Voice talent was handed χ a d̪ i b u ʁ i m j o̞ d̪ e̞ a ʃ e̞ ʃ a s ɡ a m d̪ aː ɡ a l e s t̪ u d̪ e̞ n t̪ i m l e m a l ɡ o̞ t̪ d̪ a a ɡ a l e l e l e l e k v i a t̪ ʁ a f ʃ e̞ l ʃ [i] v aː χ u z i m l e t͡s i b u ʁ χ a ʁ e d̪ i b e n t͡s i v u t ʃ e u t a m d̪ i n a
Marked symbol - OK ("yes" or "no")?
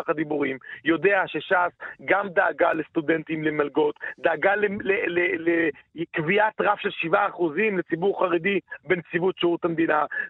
yes